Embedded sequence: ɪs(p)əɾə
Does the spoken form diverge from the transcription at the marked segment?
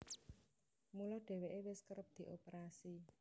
yes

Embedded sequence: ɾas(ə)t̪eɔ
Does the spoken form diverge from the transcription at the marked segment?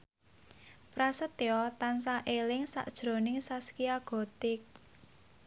no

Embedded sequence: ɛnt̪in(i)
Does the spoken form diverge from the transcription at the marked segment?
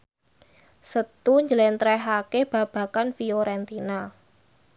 yes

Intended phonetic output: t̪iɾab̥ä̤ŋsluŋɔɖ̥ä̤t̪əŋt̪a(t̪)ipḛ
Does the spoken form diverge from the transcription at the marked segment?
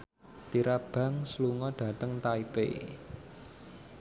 yes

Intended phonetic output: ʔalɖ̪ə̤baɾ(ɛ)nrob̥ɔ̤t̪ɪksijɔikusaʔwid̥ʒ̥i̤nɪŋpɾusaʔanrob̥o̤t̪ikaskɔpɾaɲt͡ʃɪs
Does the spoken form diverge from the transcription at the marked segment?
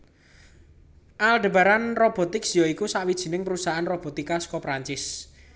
yes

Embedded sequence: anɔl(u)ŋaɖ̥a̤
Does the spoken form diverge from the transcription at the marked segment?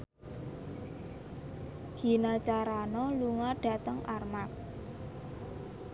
no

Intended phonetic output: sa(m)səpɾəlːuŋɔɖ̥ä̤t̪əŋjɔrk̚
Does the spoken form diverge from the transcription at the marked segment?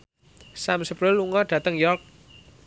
no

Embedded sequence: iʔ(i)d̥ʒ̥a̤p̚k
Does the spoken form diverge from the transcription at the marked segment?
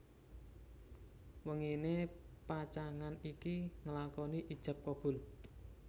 no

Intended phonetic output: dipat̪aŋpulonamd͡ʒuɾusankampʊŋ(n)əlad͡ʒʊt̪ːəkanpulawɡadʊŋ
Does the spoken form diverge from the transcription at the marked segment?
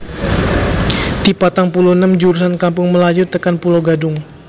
yes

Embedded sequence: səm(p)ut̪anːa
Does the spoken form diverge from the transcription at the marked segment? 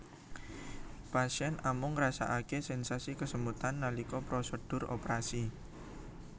yes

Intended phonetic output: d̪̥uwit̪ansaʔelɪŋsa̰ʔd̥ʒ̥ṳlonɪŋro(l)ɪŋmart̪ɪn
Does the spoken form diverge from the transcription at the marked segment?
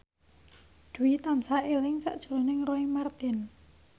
yes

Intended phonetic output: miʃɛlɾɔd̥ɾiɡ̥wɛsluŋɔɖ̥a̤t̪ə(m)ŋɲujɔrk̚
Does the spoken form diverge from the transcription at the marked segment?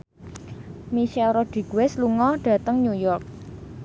yes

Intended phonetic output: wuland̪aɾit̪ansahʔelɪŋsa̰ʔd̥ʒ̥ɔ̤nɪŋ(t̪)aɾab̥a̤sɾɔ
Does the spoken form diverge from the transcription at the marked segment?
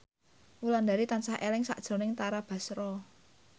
no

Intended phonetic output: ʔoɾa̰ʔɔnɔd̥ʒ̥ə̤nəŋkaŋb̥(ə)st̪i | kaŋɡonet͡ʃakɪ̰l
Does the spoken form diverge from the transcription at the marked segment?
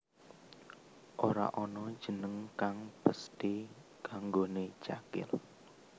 no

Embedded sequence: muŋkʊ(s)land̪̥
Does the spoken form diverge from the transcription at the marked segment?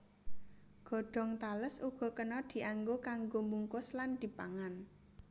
no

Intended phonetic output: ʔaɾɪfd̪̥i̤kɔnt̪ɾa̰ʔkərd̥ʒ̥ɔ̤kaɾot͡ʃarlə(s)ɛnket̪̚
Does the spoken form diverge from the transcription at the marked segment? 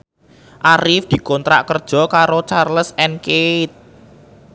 no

